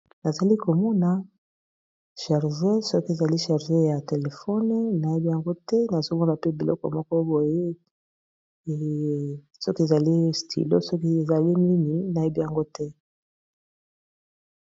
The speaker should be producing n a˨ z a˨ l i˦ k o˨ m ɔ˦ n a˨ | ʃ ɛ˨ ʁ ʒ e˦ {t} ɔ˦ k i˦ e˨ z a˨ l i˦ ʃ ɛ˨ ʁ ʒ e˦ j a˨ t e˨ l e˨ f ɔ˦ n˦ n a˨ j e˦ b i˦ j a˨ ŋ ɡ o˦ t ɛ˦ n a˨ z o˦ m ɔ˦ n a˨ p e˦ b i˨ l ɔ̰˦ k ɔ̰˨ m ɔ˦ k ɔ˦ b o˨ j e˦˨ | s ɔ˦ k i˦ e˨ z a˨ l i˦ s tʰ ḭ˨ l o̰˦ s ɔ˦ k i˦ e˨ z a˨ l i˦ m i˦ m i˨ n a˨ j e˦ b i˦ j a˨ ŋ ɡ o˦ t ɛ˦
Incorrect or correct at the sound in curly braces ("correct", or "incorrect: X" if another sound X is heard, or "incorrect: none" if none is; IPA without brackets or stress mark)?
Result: incorrect: s